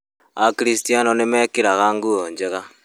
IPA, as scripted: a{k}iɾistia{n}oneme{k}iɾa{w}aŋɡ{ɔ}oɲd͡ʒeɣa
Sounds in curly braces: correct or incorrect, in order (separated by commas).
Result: correct, correct, correct, incorrect, incorrect